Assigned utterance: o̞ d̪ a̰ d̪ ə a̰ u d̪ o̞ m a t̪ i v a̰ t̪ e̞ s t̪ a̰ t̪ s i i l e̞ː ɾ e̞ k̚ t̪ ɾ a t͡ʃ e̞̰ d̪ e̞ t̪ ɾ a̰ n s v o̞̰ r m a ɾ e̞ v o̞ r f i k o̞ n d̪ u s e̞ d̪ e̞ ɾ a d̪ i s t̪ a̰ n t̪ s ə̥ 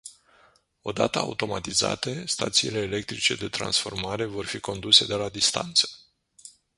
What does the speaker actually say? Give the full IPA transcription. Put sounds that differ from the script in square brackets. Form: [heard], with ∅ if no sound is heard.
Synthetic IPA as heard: o̞ d̪ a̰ [t̪] ə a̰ u [t̪] o̞ m a t̪ i [z] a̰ t̪ e̞ s t̪ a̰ t̪ s i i l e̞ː [l] e̞ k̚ t̪ ɾ [i] t͡ʃ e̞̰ d̪ e̞ t̪ ɾ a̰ n s [f] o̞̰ r m a ɾ e̞ v o̞ r f i k o̞ n d̪ u s e̞ d̪ e̞ [l] a d̪ i s t̪ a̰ n t̪ s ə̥